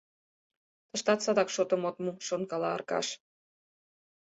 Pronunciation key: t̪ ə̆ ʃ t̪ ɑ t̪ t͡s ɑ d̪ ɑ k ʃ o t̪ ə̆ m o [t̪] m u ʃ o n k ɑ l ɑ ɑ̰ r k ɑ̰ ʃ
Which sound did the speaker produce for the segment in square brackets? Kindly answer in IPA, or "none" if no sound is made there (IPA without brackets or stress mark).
t̪